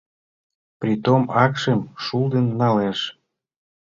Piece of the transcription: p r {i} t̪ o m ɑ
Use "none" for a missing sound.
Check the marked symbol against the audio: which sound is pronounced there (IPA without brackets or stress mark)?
i